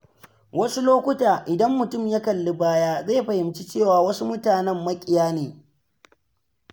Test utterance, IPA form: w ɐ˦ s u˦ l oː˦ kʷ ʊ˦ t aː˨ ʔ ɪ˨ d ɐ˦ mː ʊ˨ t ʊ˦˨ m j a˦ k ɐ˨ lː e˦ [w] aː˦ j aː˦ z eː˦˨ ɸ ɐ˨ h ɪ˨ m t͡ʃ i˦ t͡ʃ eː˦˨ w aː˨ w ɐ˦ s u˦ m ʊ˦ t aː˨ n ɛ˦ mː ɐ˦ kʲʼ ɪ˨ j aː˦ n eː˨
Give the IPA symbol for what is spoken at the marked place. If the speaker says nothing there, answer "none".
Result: b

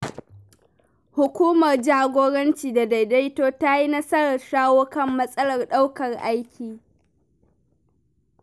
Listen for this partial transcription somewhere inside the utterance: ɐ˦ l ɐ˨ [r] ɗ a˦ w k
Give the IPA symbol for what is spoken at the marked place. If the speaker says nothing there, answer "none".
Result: r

